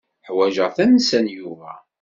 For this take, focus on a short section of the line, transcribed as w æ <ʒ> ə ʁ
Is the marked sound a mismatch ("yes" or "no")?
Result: no